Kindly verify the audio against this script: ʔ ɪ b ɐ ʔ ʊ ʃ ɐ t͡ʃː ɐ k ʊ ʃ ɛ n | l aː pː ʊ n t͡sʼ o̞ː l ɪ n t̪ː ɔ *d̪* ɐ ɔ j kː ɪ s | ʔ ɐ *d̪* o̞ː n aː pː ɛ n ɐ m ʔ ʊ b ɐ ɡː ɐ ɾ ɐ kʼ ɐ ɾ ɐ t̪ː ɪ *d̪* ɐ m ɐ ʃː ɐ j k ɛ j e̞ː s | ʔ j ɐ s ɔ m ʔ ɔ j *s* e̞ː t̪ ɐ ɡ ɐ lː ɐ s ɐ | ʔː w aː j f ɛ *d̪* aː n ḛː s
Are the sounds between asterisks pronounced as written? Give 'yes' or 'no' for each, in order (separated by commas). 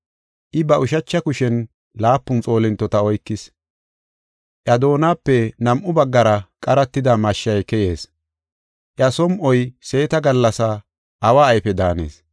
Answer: no, yes, yes, yes, yes